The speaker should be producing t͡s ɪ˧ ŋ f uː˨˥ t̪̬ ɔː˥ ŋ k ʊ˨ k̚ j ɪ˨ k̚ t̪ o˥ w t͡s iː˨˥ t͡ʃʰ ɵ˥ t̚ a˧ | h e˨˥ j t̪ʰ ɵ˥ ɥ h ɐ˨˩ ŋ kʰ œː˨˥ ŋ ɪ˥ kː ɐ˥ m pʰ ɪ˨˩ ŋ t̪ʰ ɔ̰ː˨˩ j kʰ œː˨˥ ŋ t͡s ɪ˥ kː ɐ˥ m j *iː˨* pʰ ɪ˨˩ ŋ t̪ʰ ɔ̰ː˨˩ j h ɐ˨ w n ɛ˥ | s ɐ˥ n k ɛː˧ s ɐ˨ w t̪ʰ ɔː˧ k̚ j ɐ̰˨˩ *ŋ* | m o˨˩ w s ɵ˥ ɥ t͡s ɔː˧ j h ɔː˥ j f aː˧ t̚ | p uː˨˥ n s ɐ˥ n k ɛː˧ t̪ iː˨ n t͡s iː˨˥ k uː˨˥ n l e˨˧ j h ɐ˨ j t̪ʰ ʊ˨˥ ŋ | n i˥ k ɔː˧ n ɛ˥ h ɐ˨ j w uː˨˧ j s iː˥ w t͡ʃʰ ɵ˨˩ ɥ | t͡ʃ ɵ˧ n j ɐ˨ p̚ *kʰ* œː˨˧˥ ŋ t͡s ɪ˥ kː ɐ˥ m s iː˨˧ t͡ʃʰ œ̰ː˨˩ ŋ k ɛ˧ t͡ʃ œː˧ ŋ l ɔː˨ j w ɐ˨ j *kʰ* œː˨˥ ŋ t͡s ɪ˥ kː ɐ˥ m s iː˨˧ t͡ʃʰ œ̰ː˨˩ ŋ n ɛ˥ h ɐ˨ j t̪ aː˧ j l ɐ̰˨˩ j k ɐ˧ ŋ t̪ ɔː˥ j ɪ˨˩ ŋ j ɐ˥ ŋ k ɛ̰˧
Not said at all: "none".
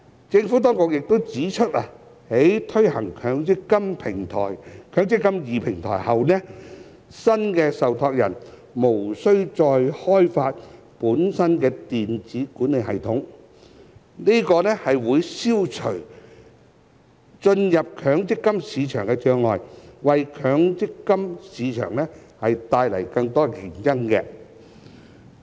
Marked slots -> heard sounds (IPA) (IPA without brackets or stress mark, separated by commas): iː˨, n, kʰ, kʰ